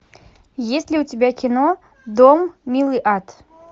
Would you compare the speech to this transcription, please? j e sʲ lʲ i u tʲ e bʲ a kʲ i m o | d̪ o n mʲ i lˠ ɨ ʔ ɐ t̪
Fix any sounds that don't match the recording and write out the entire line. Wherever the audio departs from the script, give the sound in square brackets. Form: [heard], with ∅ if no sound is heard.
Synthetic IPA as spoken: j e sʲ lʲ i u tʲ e bʲ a kʲ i [n] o | d̪ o [m] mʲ i lˠ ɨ ʔ [a] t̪